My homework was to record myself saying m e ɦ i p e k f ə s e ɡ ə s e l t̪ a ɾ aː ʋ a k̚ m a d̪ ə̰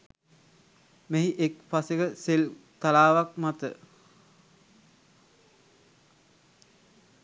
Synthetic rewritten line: m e ɦ i ʔ e k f a s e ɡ ə s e l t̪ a l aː ʋ a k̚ m a t̪ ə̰